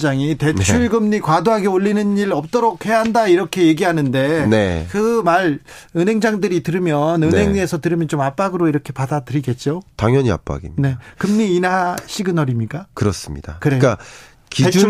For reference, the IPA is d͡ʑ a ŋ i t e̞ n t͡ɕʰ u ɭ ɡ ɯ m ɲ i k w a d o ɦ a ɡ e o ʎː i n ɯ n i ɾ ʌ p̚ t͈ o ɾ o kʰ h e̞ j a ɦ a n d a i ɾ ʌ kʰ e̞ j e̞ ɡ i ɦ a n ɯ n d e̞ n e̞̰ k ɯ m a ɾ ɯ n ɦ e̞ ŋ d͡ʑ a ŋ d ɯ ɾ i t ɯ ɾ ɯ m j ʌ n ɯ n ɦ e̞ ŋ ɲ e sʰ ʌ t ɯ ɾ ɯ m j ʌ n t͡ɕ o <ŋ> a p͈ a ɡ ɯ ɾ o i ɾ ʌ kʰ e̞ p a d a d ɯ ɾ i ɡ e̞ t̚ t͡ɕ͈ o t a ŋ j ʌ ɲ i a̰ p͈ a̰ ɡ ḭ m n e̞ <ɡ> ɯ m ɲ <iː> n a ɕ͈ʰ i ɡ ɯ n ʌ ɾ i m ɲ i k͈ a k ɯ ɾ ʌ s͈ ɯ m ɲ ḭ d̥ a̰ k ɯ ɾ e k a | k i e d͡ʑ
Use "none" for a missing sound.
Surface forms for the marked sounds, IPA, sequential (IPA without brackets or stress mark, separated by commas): m, k, iː